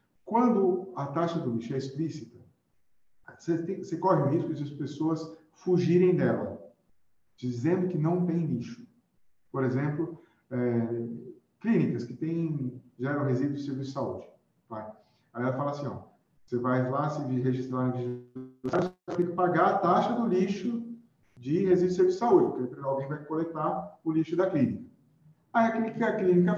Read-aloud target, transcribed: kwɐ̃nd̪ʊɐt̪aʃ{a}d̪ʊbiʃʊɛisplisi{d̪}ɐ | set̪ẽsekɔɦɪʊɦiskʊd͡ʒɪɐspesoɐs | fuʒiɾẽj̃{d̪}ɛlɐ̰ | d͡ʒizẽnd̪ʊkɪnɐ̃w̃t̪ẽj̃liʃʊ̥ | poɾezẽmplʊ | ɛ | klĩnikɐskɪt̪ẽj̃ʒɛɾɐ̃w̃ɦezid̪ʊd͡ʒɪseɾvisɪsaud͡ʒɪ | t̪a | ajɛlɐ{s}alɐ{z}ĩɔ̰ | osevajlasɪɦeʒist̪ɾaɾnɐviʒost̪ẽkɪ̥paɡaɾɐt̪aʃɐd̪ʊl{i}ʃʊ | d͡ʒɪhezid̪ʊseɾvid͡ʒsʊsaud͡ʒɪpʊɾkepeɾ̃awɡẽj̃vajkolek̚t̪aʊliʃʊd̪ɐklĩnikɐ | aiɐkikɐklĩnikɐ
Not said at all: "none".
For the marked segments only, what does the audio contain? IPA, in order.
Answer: ɐ, t̪, d̪, f, s, i

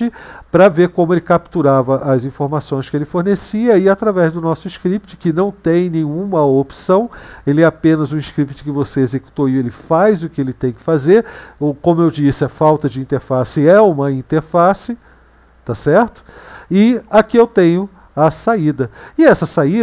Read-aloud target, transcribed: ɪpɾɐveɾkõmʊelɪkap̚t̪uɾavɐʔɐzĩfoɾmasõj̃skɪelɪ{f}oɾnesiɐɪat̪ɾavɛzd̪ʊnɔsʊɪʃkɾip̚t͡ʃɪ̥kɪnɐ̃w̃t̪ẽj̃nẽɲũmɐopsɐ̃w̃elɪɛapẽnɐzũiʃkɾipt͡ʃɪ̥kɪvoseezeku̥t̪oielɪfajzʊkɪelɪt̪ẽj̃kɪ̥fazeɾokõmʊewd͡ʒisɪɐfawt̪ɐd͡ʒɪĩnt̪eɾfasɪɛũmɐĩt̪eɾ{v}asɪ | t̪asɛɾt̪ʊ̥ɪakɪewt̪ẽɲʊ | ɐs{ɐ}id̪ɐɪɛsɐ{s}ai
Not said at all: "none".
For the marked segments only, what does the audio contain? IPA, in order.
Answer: f, f, a, s

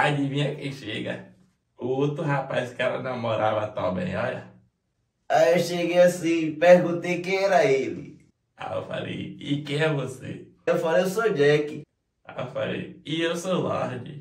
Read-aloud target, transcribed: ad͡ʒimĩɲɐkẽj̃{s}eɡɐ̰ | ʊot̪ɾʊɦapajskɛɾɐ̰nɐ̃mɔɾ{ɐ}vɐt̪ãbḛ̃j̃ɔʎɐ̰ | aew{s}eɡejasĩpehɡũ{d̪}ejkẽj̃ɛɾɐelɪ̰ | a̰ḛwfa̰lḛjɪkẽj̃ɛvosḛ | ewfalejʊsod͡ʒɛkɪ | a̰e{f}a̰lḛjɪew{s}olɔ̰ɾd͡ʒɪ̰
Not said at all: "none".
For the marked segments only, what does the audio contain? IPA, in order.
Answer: ʃ, a, ʃ, t̪, f, s

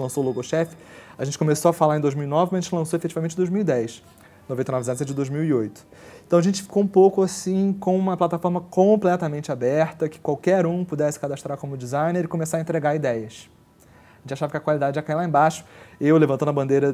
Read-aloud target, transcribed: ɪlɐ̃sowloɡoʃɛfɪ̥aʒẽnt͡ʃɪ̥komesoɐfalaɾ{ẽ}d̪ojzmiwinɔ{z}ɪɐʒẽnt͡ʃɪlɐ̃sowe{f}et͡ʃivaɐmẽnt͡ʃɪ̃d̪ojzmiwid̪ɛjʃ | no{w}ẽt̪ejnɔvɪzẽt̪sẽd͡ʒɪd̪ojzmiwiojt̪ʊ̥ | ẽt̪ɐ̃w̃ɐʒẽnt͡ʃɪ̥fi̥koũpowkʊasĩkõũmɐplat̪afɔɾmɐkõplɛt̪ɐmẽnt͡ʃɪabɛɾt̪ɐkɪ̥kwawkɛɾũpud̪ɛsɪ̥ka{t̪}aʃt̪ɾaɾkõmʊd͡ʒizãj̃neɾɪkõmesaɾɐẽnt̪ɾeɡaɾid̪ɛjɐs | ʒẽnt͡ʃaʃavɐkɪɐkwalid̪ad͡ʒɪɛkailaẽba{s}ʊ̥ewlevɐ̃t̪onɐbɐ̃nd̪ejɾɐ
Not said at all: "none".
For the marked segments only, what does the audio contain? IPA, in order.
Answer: ẽ, v, f, v, d̪, ʃ

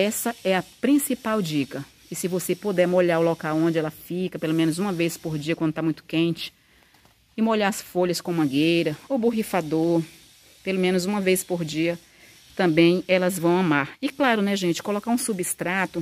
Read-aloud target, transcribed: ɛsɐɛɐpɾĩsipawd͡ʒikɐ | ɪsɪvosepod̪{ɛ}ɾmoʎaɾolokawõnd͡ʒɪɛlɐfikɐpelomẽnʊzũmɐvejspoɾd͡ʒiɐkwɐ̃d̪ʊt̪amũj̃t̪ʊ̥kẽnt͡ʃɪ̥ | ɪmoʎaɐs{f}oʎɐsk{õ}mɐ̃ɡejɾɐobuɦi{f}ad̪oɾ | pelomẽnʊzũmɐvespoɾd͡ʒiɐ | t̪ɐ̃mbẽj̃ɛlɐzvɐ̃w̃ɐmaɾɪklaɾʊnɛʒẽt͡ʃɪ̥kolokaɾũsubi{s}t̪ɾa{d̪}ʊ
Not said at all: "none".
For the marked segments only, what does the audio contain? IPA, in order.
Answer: ɛ, f, õ, f, s, t̪

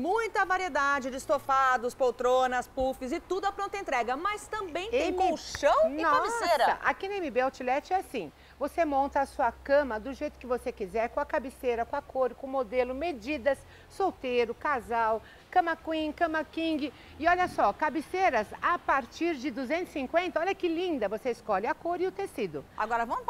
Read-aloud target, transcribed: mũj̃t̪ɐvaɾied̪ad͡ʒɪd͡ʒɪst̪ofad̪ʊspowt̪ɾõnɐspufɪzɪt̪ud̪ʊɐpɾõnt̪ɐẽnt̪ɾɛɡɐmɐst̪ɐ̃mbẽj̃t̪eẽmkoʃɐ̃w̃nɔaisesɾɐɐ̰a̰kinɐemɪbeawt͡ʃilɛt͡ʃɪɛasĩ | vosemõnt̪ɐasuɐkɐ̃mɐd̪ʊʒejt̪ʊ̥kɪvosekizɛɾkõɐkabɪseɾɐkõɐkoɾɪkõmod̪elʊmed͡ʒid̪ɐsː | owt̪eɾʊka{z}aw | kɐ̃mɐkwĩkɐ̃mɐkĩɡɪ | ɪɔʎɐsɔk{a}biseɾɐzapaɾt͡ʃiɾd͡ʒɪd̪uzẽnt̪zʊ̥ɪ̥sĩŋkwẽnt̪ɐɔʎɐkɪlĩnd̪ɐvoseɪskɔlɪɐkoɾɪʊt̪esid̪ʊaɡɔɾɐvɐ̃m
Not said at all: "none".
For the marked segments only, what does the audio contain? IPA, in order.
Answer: z, a

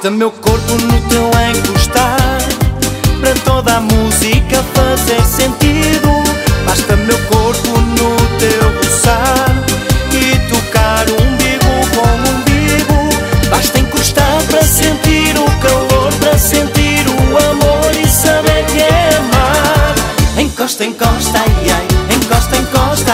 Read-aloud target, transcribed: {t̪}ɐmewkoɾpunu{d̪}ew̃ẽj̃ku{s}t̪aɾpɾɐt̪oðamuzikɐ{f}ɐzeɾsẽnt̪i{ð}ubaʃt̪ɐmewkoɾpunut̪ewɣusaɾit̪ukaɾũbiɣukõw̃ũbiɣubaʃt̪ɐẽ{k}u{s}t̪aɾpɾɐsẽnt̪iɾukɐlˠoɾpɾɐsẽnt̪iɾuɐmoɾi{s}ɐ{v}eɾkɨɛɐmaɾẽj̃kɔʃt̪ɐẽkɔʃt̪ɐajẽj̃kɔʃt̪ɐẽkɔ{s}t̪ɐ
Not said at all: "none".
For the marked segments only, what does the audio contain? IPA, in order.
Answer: t̪, t̪, ʃ, f, ð, k, ʃ, s, β, ʃ

